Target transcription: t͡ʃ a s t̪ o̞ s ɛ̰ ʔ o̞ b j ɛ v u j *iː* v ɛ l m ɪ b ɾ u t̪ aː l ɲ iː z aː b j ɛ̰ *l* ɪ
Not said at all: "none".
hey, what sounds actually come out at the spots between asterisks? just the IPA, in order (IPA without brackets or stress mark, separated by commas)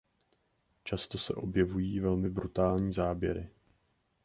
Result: iː, ɾ